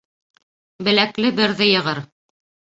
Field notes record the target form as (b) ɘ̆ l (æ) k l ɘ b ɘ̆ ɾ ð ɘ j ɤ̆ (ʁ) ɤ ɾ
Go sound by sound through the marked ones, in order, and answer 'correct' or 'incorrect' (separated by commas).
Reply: correct, correct, correct